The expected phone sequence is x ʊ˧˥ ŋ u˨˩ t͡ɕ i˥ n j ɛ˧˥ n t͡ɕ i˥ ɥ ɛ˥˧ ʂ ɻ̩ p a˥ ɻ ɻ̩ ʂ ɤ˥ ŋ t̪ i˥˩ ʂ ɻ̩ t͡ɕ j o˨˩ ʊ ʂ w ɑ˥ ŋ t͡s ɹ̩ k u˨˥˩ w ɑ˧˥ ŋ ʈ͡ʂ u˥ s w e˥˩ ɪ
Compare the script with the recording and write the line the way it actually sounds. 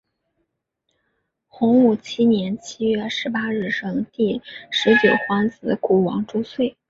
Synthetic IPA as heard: x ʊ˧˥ ŋ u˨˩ t͡ɕʰ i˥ n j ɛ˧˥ n t͡ɕʰ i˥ ɥ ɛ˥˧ ʂ ɻ̩ p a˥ ɻ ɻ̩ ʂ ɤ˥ ŋ t̪ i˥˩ ʂ ɻ̩ t͡ɕ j o˨˩ ʊ x w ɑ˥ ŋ t͡s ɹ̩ k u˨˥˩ w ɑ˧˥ ŋ ʈ͡ʂ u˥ s w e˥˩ ɪ